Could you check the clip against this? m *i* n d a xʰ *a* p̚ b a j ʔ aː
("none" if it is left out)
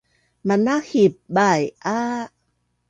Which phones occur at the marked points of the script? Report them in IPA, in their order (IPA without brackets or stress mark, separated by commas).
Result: a, i